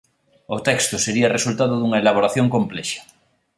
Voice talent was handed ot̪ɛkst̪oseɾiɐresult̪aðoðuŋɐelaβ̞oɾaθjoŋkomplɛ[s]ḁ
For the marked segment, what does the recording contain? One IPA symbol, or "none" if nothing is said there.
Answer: ʃ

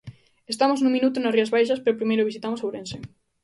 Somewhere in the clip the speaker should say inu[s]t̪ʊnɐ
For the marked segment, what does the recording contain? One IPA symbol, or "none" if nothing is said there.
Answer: none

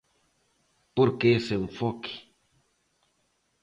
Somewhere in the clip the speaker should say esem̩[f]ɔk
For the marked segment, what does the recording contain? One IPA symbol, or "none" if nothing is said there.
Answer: f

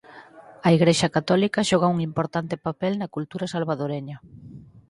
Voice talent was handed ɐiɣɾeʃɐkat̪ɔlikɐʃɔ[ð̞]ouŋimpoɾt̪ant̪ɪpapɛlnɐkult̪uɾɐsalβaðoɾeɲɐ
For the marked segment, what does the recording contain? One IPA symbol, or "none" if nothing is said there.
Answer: ɣ̞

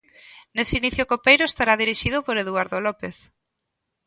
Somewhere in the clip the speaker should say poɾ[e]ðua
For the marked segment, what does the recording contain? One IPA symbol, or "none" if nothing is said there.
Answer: e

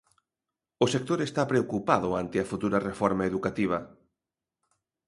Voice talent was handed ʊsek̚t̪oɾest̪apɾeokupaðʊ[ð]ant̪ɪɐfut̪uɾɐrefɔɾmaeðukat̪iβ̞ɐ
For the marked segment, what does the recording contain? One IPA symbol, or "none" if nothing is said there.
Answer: none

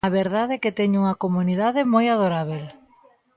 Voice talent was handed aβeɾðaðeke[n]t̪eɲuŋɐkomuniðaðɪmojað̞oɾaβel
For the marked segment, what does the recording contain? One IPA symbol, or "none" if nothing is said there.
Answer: none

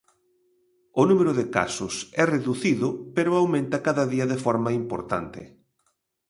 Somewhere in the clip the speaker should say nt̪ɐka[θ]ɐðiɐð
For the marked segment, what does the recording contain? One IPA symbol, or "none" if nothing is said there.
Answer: ð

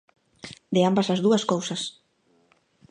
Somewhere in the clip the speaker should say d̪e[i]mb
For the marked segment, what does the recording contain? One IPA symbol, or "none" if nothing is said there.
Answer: a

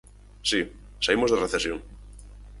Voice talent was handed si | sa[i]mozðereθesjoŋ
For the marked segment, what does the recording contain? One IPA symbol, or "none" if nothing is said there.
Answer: i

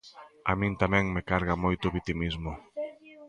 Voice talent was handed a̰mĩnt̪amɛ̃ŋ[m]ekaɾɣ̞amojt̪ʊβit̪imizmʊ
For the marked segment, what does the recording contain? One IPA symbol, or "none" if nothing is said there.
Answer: m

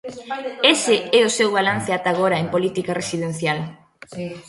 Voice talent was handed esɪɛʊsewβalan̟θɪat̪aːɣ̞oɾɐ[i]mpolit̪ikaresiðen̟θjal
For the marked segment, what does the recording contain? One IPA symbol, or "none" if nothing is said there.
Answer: e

